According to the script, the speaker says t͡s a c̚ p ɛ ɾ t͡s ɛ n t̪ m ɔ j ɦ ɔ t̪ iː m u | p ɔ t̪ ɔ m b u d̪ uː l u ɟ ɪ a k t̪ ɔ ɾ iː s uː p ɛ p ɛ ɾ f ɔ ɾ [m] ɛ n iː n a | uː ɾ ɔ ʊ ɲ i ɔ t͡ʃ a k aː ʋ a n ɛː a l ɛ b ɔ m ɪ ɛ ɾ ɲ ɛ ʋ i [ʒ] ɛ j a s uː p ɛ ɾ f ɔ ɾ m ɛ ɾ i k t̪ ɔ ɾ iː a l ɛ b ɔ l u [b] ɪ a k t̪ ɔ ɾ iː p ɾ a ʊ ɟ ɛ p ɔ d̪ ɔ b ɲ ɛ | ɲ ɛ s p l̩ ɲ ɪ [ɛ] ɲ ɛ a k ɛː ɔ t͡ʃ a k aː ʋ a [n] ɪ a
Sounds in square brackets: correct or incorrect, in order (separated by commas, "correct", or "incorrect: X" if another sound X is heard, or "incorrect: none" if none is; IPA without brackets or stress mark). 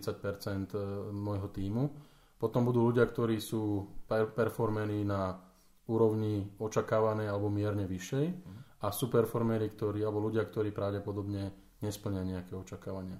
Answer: correct, incorrect: ʃ, incorrect: ɟ, incorrect: a, incorrect: ɲ